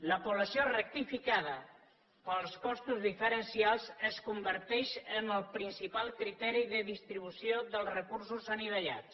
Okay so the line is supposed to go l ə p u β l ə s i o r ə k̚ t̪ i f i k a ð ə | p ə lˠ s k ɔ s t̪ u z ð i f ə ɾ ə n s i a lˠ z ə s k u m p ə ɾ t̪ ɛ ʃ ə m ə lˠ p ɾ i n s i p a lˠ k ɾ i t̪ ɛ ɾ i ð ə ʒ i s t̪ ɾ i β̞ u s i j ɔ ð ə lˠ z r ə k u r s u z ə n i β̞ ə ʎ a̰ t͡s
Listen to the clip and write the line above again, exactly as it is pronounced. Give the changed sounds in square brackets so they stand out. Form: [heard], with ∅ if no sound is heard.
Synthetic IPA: l ə p u β l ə s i o r ə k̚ t̪ i f i k a ð ə | p ə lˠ s k ɔ s t̪ u z ð i f ə ɾ ə n s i a lˠ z ə s k u m [b] ə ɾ t̪ ɛ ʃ ə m ə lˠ p ɾ i n s i p a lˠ k ɾ i t̪ ɛ ɾ i ð ə [ð] i s t̪ ɾ i β̞ u s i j [o] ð ə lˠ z r ə k u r s u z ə n i β̞ ə ʎ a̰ t͡s